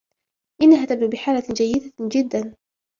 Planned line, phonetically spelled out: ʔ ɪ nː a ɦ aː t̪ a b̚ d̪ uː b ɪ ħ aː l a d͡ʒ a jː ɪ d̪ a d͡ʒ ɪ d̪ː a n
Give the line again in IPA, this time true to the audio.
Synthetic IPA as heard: ʔ ɪ nː a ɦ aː t̪ a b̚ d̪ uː b ɪ ħ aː l a d͡ʒ a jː ɪ d̪ a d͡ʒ ɪ d̪ː a n

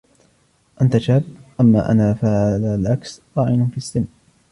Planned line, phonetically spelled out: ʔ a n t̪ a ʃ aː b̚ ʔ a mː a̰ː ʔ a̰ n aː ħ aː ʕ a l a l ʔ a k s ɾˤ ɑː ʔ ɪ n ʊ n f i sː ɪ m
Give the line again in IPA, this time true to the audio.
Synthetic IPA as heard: ʔ a n t̪ a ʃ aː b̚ ʔ a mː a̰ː ʔ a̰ n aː f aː ʕ a l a l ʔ a k s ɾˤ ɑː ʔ ɪ n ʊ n f i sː ɪ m

